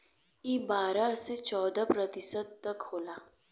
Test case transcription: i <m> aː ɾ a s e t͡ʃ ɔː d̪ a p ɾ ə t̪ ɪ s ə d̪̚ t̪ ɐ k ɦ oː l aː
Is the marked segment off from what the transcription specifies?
yes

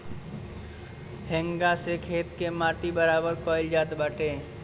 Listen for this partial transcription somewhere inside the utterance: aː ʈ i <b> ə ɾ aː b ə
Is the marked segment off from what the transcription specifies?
no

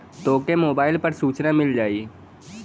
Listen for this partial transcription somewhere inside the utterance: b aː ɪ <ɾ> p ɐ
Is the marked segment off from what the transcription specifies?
yes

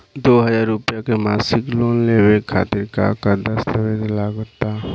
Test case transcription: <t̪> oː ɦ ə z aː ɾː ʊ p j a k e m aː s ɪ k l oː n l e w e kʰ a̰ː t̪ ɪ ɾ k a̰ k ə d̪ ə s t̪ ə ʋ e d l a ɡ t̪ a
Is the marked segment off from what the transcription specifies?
yes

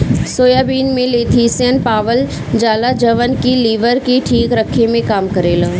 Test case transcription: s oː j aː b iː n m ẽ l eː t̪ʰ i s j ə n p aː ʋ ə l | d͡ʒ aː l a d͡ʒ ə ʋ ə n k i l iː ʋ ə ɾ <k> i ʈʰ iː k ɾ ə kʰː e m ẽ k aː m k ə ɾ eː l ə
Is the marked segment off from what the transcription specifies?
no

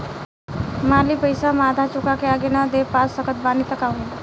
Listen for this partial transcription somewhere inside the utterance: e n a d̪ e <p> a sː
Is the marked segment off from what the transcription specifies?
no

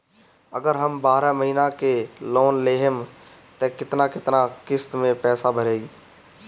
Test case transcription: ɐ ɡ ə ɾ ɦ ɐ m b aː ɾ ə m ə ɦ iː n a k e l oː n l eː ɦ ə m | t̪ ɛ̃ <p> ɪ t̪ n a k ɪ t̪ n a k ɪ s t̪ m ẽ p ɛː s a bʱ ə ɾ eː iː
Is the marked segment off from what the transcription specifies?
yes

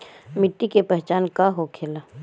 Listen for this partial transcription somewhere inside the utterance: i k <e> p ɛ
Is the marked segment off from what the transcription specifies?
no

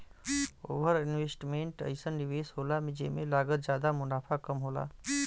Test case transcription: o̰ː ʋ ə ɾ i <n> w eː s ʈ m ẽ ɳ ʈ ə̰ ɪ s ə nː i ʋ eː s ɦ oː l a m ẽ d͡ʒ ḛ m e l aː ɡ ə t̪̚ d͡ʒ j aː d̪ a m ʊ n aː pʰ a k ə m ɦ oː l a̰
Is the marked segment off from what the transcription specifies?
no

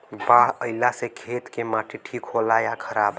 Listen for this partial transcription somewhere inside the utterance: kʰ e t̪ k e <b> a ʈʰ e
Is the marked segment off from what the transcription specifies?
yes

